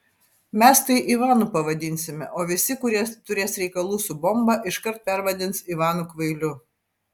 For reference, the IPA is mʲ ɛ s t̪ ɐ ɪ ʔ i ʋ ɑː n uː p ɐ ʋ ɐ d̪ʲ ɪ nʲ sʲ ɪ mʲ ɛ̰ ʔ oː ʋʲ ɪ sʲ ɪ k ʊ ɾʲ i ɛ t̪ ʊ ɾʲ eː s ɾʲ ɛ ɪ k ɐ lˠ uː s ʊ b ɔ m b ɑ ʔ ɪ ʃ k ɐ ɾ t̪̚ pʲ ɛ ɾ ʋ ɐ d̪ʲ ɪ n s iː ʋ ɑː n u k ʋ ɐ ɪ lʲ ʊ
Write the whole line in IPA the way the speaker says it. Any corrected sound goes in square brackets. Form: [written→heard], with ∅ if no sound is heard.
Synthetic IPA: mʲ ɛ s t̪ ɐ ɪ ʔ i ʋ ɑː n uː p ɐ ʋ ɐ d̪ʲ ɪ nʲ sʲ ɪ mʲ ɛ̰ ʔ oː ʋʲ ɪ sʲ ɪ k ʊ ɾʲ i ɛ t̪ ʊ ɾʲ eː s ɾʲ ɛ ɪ k ɐ lˠ uː s ʊ b ɔ m b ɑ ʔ ɪ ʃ k ɐ ɾ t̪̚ pʲ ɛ ɾ ʋ ɐ d̪ʲ ɪ n s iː ʋ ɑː n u k ʋ ɐ ɪ lʲ ʊ